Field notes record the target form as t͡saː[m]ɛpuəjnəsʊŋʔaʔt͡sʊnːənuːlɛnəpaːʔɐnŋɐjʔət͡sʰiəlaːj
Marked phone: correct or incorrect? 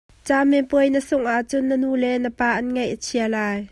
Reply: correct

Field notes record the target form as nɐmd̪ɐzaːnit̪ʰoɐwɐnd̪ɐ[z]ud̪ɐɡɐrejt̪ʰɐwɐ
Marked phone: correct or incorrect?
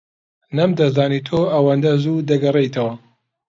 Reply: correct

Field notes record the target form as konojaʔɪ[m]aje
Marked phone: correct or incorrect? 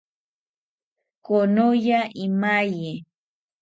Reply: correct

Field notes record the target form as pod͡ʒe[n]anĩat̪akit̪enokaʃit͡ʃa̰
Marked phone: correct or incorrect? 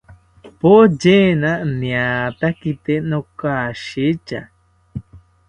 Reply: correct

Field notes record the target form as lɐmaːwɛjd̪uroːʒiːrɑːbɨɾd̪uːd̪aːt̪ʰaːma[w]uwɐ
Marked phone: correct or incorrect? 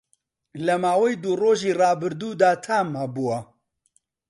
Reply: incorrect: b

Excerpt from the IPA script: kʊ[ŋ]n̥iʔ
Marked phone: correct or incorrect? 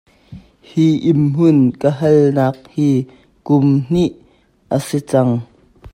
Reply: incorrect: m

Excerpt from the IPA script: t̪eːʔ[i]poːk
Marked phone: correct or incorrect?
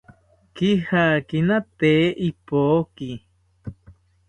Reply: correct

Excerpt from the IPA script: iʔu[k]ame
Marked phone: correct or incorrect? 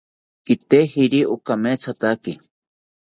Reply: correct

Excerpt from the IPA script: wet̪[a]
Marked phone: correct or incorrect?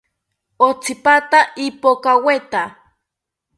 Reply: correct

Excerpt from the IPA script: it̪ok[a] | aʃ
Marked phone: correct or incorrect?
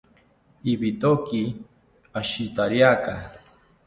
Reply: incorrect: i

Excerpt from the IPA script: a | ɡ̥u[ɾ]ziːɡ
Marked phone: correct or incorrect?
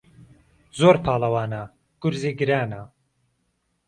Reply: correct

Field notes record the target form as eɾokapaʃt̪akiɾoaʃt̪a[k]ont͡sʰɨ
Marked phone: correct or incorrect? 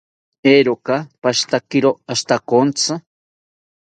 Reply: correct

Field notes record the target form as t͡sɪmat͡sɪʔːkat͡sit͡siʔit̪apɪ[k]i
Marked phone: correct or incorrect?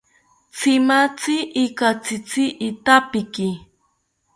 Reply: correct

